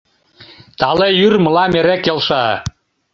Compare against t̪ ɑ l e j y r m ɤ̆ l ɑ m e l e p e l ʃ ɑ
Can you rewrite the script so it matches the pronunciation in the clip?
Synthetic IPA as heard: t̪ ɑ l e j y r m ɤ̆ l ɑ m e ɾ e k e l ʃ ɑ